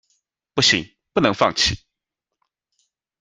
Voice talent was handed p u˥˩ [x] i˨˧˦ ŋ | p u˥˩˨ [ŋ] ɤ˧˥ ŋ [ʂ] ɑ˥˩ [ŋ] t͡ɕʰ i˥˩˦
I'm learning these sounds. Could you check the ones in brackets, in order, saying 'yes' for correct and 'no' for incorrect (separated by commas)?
no, no, no, yes